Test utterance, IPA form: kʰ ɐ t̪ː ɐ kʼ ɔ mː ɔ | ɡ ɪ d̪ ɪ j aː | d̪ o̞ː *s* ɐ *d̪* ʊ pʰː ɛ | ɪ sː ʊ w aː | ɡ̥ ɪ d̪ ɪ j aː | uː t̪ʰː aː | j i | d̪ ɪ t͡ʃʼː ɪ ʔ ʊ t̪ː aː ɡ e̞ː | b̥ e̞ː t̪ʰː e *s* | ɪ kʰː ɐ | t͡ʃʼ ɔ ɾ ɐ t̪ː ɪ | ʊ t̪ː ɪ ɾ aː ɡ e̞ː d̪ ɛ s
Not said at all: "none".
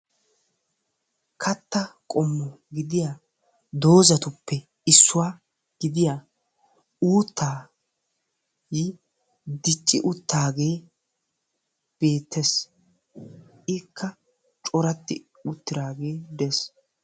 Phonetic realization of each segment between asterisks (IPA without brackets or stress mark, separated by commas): z, t̪, s